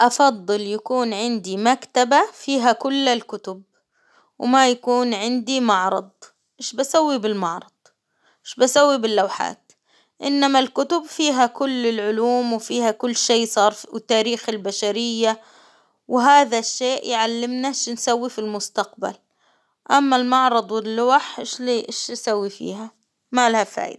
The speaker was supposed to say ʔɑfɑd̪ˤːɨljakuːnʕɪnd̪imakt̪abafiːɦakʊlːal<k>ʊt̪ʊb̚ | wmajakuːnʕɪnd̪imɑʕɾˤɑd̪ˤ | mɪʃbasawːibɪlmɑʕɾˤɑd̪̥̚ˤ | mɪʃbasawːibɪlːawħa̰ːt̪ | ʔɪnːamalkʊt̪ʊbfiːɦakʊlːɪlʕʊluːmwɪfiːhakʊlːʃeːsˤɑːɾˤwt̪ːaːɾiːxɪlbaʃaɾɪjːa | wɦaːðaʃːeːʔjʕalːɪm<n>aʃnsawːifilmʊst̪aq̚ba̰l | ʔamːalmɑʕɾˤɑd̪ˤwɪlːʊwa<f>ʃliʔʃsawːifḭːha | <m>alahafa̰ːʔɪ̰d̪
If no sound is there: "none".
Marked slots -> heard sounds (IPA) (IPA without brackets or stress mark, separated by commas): k, n, ħ, m